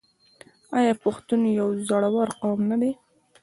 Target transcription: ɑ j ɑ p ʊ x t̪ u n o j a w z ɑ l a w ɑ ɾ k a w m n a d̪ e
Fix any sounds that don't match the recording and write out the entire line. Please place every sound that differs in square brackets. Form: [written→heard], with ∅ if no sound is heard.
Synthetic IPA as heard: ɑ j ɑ p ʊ x t̪ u n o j a w z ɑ [l→ɽ] a w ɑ ɾ [k→q] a w m n a d̪ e